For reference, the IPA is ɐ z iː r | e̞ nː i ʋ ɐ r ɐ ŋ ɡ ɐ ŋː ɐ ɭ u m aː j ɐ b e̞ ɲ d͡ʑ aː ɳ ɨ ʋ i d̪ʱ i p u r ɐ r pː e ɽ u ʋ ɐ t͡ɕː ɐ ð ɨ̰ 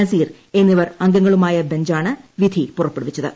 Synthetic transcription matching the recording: ɐ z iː r | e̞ nː i ʋ ɐ r ɐ ŋ ɡ ɐ ŋː ɐ ɭ u m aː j ɐ b e̞ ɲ d͡ʑ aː ɳ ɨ ʋ i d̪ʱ i p u r ɐ pː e ɽ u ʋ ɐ t͡ɕː ɐ ð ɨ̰